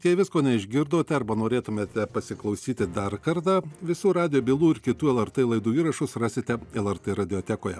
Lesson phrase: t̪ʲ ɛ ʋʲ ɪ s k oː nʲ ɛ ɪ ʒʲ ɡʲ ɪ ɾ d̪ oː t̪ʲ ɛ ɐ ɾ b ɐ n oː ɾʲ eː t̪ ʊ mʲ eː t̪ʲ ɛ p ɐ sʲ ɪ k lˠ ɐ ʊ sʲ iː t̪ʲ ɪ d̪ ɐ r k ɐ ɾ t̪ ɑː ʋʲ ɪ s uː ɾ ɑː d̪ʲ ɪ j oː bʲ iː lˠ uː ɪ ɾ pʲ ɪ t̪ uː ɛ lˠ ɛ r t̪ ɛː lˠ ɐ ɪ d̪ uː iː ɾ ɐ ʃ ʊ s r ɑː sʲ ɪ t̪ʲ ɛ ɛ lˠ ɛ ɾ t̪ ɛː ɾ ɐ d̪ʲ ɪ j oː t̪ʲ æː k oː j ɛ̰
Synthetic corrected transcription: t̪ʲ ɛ ʋʲ ɪ s k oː nʲ ɛ ɪ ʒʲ ɡʲ ɪ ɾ d̪ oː t̪ʲ ɛ ɐ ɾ b ɐ n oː ɾʲ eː t̪ ʊ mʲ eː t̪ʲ ɛ p ɐ sʲ ɪ k lˠ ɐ ʊ sʲ iː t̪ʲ ɪ d̪ ɐ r k ɐ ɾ t̪ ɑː ʋʲ ɪ s uː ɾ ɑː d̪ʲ ɪ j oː bʲ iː lˠ uː ɪ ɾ kʲ ɪ t̪ uː ɛ lˠ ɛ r t̪ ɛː lˠ ɐ ɪ d̪ uː iː ɾ ɐ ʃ ʊ s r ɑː sʲ ɪ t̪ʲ ɛ ɛ lˠ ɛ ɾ t̪ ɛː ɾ ɐ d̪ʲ ɪ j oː t̪ʲ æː k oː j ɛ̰